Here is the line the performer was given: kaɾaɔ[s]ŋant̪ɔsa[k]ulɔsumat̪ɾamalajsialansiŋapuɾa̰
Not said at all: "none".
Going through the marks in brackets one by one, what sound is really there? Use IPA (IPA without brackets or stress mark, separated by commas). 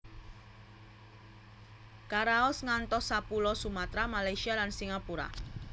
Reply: s, p